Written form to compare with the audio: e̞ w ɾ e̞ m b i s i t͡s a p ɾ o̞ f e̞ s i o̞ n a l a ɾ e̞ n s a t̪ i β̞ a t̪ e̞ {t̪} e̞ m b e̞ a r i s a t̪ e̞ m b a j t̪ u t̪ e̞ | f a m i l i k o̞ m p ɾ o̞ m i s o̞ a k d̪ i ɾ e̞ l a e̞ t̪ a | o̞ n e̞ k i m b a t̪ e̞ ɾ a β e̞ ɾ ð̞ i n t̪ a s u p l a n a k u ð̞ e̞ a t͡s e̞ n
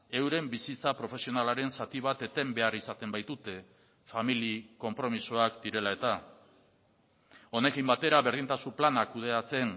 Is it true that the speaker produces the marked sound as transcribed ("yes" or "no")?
yes